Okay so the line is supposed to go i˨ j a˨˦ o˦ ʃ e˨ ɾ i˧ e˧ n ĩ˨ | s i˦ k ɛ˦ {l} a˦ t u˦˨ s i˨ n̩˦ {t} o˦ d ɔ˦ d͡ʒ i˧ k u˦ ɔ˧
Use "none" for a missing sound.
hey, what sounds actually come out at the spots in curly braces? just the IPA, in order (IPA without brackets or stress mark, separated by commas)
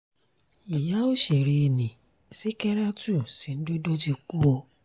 ɾ, d